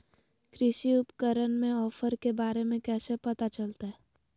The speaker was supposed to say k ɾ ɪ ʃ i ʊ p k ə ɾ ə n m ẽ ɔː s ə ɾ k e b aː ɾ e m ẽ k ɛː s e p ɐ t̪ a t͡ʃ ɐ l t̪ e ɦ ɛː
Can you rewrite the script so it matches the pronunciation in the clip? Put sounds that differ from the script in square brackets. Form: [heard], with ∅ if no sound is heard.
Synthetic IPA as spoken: k ɾ ɪ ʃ i ʊ p k ə ɾ ə n m ẽ ɔː [f] ə ɾ k e b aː ɾ e m ẽ k ɛː s e p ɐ t̪ a t͡ʃ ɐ l t̪ [a] ɦ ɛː